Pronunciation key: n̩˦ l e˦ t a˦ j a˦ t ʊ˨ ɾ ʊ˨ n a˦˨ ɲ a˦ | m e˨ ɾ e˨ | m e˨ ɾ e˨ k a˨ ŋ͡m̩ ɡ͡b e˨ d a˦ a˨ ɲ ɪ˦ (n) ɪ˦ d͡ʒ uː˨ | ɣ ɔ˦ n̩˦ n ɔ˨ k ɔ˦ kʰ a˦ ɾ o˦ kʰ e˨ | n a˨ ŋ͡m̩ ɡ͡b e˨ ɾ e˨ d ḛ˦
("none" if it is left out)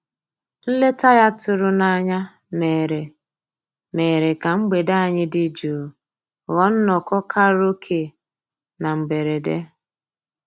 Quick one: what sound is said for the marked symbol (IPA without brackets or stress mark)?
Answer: d